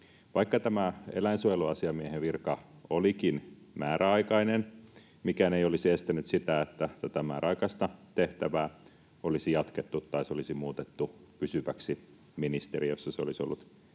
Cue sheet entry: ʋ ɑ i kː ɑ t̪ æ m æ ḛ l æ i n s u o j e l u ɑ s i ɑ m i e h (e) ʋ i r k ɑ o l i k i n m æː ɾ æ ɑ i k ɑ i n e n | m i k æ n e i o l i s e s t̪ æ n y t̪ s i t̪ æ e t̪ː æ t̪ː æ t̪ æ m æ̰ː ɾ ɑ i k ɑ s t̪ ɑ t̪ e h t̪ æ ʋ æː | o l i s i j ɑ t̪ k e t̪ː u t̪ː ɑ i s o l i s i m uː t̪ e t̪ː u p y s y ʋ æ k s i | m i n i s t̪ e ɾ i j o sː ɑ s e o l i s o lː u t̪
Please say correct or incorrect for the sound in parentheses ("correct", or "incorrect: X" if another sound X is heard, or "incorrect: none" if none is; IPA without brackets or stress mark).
correct